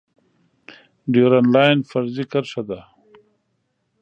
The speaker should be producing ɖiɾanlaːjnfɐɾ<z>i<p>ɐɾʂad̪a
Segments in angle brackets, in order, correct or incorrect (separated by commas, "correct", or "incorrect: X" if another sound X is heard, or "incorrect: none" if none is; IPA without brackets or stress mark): correct, incorrect: k